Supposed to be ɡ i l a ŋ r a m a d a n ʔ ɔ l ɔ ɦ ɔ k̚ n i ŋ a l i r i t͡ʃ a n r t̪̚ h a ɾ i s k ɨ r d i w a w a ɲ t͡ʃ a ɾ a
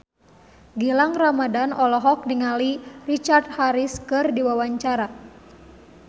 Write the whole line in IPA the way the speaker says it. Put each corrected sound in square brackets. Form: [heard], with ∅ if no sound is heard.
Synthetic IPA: ɡ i l a ŋ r a m a d a n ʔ ɔ l ɔ ɦ ɔ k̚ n i ŋ a l i r i t͡ʃ a [∅] r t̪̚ h a ɾ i s k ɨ r d i w a w a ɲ t͡ʃ a ɾ a